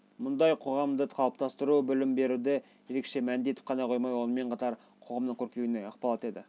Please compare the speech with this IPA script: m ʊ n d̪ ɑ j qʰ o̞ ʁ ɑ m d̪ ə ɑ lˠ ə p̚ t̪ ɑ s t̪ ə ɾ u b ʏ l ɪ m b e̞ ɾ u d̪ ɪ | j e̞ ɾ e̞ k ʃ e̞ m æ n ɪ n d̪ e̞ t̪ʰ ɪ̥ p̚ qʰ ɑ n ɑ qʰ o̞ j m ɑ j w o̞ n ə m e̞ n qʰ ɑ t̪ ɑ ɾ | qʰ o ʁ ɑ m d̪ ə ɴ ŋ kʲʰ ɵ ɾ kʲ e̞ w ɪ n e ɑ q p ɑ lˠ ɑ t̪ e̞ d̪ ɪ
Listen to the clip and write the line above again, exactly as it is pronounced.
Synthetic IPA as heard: m ʊ n d̪ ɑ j qʰ o̞ ʁ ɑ m d̪ ə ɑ lˠ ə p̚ t̪ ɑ s t̪ ə ɾ u b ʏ l ɪ m b e̞ ɾ u d̪ ɪ | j e̞ ɾ e̞ k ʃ e̞ m æ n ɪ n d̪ e̞ t̪ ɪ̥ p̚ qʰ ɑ n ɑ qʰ o̞ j m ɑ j w o̞ n ə m e̞ ɴ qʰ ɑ t̪ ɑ ɾ | qʰ o ʁ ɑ m d̪ ə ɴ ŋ kʲʰ ɵ ɾ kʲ e̞ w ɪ n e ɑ q p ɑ lˠ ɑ t̪ e̞ d̪ ɪ